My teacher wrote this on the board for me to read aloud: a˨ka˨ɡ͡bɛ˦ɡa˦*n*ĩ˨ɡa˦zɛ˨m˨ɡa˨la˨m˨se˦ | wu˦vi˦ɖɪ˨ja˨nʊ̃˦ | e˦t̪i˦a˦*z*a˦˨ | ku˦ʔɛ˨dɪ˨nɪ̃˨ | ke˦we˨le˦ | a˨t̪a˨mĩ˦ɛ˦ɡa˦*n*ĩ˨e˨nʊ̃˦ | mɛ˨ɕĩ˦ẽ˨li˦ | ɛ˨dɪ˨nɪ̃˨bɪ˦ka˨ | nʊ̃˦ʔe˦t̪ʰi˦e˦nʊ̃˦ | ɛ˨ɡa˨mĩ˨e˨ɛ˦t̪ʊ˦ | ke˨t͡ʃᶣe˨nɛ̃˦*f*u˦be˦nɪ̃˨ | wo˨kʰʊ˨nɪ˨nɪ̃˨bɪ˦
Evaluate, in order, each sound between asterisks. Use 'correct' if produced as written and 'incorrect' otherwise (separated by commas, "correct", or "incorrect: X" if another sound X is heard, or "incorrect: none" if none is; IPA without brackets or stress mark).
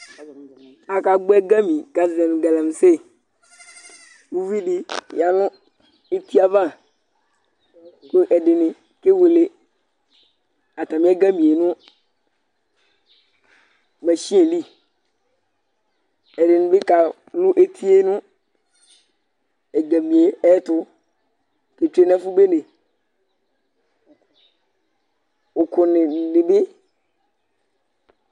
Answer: incorrect: m, incorrect: v, incorrect: m, correct